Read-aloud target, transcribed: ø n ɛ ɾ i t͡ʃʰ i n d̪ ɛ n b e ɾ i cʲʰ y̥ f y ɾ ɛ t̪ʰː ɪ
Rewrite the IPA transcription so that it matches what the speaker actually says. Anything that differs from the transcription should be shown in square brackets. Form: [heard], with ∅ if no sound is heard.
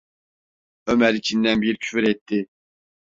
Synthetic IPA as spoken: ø [m] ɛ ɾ i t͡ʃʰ i n d̪ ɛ n b [i] ɾ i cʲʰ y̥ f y ɾ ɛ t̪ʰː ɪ